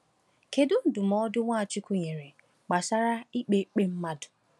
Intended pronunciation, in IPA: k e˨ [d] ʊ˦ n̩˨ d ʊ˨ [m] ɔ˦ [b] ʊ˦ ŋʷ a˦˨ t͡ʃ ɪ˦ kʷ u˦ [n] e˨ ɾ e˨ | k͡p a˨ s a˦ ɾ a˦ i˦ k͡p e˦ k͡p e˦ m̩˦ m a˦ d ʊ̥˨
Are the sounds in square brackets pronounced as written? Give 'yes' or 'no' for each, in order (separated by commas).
yes, yes, no, no